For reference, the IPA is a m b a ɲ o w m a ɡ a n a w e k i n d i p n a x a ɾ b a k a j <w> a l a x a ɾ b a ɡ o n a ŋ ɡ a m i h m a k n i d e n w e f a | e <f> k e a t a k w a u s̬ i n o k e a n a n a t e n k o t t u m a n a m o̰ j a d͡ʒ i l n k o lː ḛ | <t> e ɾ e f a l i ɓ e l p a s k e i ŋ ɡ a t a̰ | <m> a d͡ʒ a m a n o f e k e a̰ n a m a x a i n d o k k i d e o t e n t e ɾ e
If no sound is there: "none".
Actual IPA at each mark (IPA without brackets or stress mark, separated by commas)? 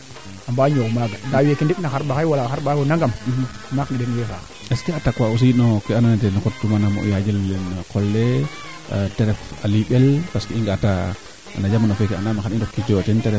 w, s, t, n